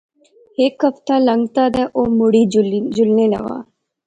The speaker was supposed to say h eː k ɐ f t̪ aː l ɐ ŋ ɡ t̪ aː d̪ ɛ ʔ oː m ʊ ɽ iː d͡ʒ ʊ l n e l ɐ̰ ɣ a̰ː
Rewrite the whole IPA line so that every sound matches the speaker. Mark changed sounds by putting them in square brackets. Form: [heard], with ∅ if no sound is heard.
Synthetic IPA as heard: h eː k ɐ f t̪ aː l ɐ ŋ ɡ t̪ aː d̪ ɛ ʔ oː m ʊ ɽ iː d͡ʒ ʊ l n e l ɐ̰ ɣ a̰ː